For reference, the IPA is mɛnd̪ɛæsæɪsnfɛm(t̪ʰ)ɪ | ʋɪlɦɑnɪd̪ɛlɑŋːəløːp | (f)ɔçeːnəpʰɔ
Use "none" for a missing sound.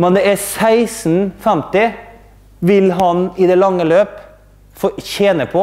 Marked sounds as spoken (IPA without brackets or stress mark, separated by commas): t̪, f